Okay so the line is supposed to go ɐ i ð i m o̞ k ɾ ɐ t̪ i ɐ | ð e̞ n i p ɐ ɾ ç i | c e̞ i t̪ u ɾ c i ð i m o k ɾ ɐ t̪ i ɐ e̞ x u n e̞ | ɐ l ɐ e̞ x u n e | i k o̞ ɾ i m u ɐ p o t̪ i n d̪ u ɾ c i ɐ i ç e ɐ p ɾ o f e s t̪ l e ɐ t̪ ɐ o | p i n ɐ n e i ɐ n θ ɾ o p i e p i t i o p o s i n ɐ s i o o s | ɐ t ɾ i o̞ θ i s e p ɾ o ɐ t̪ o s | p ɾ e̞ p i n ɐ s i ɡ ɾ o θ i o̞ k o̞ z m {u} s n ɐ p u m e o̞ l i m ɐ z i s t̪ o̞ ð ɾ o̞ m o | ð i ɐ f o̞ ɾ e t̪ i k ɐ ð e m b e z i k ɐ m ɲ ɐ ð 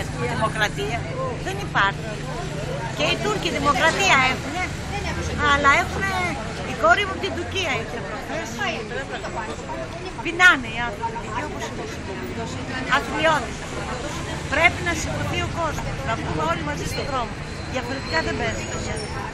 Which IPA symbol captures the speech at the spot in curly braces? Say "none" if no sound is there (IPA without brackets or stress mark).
o